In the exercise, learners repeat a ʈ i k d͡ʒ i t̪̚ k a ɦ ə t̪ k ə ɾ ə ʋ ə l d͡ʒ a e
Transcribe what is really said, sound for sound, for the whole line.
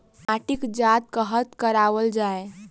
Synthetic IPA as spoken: a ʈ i k d͡ʒ a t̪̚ k ə ɦ ə t̪ k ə ɾ a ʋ ə l d͡ʒ a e